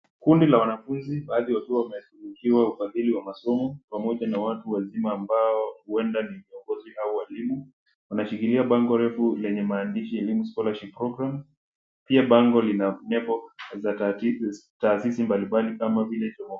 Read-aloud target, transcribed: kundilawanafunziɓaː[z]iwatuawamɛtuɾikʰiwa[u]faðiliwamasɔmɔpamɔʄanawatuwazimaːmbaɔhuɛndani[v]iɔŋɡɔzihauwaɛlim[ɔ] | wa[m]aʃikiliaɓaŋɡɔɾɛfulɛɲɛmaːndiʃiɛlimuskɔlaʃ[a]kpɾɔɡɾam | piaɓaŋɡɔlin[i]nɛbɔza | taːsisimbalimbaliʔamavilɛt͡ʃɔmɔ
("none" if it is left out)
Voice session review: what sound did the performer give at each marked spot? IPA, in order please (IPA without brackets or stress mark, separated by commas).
ð, u, v, u, n, i, a